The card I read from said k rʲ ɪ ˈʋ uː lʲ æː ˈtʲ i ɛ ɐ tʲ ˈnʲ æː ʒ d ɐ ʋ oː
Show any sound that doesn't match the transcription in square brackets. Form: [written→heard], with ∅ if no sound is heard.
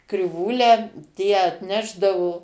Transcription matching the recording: k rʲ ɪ ˈʋ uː lʲ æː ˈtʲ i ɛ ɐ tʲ ˈnʲ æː ʒ d ɐ ʋ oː